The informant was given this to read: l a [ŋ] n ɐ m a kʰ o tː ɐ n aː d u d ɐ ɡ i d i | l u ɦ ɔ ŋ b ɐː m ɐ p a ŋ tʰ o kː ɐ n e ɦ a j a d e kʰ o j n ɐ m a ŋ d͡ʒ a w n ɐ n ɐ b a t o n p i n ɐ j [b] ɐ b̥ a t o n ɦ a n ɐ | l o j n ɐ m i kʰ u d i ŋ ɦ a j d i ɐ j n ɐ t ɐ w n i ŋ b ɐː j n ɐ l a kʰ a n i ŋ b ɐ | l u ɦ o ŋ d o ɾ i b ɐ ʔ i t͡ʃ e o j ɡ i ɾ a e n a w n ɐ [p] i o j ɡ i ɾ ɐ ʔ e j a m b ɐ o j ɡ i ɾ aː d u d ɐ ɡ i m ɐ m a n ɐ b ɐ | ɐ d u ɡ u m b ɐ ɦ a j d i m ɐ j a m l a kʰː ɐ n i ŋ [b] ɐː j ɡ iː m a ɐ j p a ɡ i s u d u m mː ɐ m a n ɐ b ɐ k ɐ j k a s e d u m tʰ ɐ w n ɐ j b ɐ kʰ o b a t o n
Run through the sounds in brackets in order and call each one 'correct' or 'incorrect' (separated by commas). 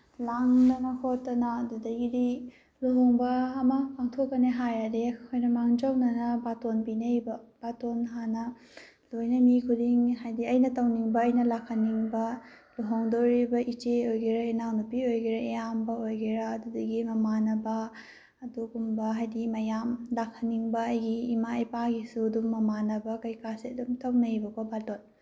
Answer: correct, correct, correct, correct